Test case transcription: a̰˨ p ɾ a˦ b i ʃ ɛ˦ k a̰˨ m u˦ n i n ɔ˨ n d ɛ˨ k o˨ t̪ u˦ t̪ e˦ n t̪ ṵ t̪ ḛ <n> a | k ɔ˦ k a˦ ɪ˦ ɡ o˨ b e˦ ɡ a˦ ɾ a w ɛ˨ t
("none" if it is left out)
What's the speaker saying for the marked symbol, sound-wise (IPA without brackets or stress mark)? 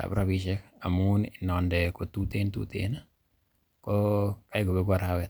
n